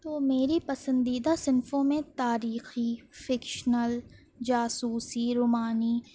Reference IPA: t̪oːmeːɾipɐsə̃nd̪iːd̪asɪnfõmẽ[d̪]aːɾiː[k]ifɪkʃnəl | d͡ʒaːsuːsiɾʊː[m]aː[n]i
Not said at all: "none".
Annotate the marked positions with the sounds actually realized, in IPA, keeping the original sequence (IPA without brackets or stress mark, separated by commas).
t̪, x, m, n